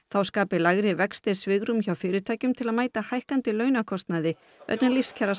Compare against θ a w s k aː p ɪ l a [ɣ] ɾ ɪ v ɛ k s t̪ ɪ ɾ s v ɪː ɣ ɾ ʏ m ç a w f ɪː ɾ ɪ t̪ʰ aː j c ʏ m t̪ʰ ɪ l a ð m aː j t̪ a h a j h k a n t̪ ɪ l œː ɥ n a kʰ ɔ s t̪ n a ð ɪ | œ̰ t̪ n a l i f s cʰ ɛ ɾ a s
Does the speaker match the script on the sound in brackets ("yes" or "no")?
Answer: yes